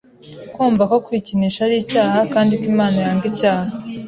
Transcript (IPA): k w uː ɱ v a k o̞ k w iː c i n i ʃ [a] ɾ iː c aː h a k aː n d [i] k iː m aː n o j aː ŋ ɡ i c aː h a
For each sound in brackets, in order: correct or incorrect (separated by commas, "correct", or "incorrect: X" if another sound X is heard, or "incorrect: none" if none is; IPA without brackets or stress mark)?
correct, correct